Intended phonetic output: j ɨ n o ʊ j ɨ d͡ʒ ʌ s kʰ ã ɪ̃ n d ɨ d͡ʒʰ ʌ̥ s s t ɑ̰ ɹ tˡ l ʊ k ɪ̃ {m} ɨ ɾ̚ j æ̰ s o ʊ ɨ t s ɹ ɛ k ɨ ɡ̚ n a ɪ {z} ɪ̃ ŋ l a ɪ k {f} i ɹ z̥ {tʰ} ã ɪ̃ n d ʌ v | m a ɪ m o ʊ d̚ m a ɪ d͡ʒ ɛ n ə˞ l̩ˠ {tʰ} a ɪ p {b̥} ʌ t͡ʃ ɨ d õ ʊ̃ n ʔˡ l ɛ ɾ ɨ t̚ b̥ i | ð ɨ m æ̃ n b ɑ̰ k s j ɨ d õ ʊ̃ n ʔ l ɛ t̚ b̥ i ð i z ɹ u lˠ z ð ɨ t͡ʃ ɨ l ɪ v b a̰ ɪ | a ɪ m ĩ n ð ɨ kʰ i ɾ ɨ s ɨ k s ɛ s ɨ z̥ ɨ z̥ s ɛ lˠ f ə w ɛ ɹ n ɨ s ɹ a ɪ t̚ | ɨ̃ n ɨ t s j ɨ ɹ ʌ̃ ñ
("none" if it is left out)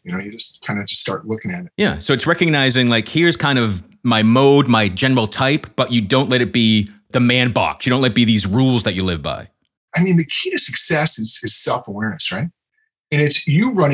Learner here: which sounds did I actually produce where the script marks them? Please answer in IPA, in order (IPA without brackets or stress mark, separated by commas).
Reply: ŋ, z, h, kʰ, tʰ, b̥